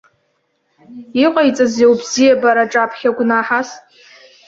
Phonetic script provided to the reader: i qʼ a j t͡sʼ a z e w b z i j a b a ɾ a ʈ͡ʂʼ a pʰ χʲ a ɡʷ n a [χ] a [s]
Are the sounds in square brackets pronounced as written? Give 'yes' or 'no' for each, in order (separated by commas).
no, yes